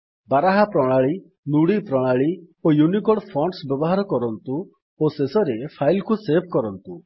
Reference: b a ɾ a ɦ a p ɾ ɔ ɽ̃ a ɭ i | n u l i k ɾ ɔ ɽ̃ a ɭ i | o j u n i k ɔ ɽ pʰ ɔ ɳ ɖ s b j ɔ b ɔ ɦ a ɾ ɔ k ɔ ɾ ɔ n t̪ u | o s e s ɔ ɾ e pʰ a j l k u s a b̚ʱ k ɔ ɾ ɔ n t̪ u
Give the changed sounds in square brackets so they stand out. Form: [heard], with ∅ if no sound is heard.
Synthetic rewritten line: b a ɾ a ɦ a p ɾ ɔ ɽ̃ a ɭ i | n u [ɽ] i [p] ɾ ɔ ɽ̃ a ɭ i | o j u n i k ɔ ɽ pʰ ɔ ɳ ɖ s b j ɔ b ɔ ɦ a ɾ ɔ k ɔ ɾ ɔ n t̪ u | o s e s ɔ ɾ e pʰ a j l k u s [e] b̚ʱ k ɔ ɾ ɔ n t̪ u

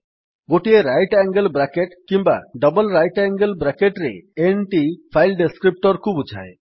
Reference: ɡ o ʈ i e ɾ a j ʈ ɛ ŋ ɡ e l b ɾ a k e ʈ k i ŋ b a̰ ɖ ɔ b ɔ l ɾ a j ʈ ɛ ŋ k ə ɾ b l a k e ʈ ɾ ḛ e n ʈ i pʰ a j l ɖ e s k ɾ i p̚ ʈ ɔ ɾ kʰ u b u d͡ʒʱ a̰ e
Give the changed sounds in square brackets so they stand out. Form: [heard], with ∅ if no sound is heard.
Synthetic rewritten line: ɡ o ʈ i e ɾ a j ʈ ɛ ŋ ɡ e l b ɾ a k e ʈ k i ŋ b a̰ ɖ ɔ b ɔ l ɾ a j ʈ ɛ ŋ [ɡ] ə [l] b [ɾ] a k e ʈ ɾ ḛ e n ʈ i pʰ a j l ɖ e s k ɾ i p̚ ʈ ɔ ɾ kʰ u b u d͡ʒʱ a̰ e

